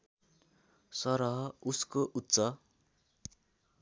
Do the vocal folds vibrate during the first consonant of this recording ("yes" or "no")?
no